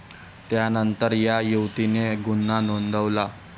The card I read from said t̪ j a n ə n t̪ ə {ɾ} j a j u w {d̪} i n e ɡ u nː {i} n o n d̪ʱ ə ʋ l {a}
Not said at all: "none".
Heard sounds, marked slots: ɾ, t̪, a, a

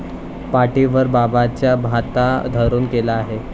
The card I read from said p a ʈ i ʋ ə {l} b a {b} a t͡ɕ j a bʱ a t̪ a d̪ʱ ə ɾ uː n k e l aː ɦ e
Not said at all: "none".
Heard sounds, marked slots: ɾ, b

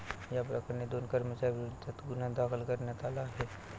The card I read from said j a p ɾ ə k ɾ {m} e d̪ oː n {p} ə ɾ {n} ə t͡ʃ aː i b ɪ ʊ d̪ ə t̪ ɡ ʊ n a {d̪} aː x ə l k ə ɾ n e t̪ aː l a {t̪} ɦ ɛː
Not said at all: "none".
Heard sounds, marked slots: n, k, m, d̪, none

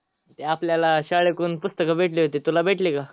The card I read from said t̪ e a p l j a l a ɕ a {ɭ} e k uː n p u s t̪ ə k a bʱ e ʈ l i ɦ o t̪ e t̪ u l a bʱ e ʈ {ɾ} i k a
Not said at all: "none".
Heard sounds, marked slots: ɭ, l

